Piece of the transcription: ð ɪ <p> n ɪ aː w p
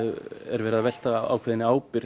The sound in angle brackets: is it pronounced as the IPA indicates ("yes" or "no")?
no